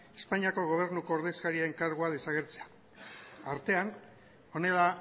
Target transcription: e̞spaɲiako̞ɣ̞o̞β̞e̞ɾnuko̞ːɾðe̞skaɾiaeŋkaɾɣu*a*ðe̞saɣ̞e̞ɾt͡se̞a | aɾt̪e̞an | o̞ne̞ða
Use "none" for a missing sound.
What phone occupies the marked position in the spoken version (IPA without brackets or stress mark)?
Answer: a